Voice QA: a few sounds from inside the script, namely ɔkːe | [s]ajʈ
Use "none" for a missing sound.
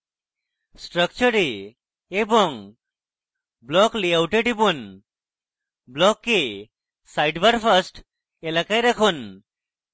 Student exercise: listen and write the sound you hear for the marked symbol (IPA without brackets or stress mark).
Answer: s